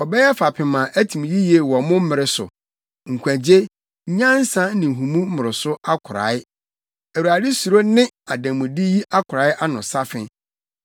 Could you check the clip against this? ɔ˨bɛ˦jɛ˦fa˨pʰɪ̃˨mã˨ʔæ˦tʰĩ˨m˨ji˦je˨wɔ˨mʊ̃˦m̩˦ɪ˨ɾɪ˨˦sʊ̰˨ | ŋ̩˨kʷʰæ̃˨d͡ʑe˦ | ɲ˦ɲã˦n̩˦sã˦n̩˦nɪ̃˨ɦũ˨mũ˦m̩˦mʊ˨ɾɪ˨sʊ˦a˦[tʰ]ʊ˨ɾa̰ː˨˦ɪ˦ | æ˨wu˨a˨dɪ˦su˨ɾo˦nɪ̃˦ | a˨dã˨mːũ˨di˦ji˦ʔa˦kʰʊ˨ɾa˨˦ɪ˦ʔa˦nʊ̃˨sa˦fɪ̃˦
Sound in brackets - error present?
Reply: yes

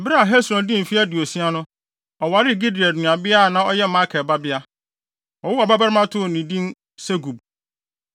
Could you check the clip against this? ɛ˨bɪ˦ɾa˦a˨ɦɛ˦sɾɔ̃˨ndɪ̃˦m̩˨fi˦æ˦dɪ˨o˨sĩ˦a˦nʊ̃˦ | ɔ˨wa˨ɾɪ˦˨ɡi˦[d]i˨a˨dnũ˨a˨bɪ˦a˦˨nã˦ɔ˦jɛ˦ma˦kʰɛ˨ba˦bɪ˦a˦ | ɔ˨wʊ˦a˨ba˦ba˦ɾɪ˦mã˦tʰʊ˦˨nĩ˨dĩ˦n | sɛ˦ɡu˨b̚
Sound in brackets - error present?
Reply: no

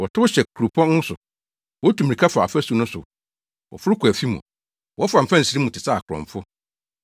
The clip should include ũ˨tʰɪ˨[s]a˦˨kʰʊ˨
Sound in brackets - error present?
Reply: no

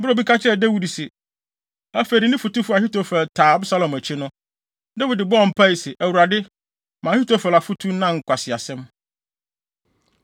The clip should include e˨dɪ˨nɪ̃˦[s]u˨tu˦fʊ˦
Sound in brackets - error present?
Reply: yes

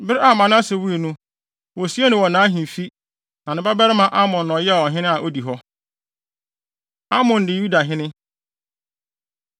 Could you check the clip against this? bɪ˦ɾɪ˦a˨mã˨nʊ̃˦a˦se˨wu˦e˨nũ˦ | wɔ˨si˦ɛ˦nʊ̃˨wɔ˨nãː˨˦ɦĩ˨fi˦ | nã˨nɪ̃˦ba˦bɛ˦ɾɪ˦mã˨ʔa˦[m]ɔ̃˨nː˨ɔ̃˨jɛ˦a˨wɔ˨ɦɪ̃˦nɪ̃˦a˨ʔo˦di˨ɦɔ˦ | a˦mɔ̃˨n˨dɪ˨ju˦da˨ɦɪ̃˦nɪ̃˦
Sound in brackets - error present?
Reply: no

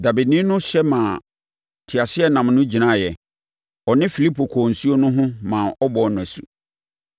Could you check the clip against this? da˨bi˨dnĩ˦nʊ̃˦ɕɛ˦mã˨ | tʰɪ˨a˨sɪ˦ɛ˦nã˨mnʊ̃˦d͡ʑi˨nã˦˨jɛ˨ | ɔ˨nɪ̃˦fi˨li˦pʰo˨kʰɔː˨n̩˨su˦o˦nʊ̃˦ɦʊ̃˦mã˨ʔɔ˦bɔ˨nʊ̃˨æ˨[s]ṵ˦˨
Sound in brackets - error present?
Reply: no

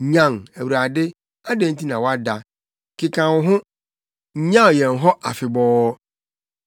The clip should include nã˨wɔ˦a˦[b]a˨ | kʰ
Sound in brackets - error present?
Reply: yes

